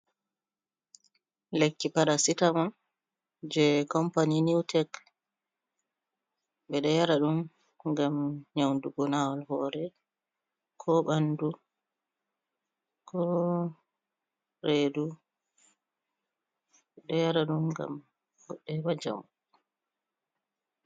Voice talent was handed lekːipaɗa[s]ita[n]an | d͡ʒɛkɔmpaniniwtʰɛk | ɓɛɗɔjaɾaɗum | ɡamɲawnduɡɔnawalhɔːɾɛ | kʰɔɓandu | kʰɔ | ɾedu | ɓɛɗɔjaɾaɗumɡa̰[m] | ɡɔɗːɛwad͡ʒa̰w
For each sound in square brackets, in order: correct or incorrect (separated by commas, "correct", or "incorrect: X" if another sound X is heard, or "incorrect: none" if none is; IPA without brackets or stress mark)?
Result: correct, incorrect: m, correct